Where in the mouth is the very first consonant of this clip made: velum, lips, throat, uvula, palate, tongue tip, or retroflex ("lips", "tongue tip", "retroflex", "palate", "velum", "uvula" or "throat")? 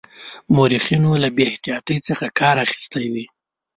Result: lips